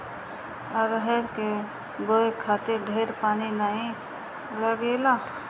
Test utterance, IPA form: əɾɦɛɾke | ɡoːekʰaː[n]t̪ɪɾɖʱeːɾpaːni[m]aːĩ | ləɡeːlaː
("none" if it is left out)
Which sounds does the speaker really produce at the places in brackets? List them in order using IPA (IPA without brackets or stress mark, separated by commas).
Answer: none, n